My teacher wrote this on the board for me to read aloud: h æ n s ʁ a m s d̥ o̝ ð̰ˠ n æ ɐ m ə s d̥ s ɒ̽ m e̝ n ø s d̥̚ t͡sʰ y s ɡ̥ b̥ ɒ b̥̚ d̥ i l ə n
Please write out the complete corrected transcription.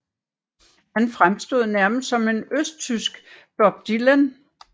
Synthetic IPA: h æ n f ʁ a m s d̥ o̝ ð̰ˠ n æ ɐ m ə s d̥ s ɒ̽ m e̝ n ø s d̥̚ t͡sʰ y s ɡ̥ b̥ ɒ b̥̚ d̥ i l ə n